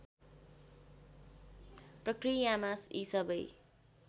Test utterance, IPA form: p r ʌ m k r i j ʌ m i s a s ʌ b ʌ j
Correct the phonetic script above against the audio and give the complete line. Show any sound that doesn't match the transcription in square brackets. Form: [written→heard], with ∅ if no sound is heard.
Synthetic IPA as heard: p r ʌ [m→∅] k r i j [ʌ→a] m [i→a] s [a→i] s ʌ b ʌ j